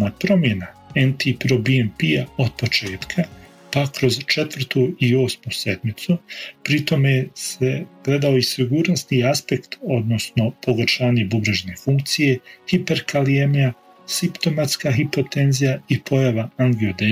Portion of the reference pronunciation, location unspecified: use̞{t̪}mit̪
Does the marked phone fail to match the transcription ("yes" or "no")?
yes